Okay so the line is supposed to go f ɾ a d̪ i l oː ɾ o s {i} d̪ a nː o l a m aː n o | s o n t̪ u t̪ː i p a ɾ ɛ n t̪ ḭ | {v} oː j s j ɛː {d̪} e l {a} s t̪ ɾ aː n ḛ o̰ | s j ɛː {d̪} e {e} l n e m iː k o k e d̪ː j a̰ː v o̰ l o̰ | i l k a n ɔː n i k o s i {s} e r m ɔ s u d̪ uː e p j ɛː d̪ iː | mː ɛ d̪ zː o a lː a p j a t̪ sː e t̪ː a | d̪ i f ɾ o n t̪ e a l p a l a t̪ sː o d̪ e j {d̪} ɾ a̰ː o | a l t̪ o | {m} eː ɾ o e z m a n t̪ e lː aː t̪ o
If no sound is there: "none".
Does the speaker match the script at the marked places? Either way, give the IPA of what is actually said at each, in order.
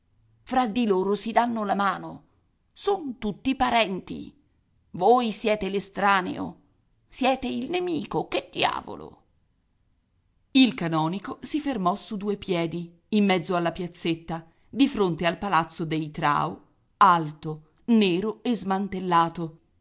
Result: i, v, t̪, e, t̪, i, f, t̪, n

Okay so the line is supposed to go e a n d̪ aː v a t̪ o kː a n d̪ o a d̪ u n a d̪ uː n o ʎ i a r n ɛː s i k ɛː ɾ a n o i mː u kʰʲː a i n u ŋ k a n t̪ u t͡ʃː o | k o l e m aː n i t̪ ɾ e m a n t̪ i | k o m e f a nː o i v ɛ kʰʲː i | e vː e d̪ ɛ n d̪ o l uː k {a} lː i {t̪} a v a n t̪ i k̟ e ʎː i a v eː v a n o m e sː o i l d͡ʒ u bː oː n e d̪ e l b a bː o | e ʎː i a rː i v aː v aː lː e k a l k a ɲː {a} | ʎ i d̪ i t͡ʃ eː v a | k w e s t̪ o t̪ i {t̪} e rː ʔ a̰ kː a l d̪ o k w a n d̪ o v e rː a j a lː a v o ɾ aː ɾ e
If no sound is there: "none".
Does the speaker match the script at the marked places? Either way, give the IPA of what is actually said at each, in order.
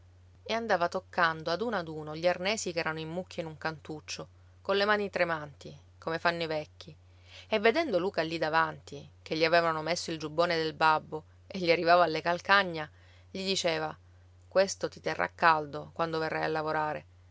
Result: a, d̪, a, t̪

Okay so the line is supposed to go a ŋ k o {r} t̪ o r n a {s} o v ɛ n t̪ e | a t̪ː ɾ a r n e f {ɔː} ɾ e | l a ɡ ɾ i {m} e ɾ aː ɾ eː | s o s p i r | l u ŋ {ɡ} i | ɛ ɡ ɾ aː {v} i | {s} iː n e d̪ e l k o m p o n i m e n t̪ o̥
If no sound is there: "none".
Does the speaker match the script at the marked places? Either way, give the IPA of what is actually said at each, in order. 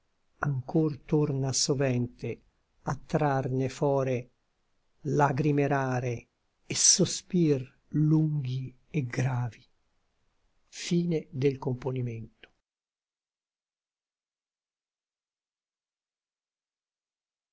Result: r, s, ɔː, m, ɡ, v, f

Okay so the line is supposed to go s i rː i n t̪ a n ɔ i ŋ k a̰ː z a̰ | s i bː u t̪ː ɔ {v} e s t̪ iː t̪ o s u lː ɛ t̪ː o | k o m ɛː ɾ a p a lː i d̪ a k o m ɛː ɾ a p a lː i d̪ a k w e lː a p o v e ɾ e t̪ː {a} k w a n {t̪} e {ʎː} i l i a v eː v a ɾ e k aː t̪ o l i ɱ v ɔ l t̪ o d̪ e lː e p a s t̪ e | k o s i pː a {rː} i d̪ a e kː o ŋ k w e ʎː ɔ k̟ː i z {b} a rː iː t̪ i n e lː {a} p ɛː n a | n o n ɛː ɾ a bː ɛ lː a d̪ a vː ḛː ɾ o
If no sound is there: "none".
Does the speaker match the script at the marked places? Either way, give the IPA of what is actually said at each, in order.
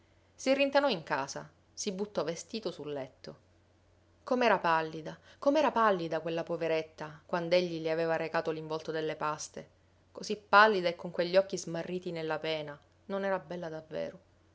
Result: v, a, d̪, ʎː, lː, m, a

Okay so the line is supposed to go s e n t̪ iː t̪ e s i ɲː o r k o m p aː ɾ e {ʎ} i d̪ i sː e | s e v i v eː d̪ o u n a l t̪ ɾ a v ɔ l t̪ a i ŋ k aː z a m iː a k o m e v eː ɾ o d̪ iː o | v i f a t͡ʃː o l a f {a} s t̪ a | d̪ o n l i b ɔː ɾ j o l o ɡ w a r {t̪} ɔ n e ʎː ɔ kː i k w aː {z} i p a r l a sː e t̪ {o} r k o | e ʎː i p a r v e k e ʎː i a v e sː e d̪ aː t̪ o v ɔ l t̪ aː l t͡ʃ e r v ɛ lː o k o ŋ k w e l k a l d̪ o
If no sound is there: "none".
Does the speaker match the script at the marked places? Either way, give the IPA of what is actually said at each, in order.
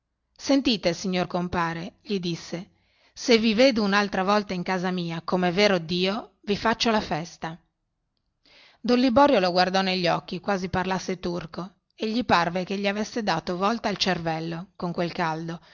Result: ʎ, ɛ, d̪, z, u

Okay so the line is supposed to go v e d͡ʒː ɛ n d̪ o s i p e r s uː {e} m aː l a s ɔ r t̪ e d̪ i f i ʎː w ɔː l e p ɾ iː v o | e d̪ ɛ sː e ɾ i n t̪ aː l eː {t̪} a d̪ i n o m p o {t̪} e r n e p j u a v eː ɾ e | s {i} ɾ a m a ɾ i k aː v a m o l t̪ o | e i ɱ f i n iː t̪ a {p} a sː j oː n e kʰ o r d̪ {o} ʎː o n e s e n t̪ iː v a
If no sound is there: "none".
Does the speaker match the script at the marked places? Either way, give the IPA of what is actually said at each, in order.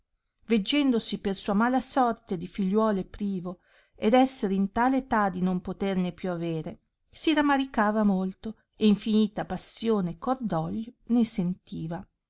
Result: a, t̪, t̪, i, p, ɔ

